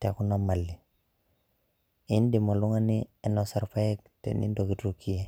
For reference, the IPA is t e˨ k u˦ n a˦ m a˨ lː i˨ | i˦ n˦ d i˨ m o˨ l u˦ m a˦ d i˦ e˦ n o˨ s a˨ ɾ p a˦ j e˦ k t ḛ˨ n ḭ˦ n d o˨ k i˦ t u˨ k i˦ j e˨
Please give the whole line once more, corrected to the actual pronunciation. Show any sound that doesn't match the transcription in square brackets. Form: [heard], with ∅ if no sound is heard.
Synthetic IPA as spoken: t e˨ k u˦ n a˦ m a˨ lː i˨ | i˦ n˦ d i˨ m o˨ l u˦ [ŋ] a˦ [n] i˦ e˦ n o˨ s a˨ ɾ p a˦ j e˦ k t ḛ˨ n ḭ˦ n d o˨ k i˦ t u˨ k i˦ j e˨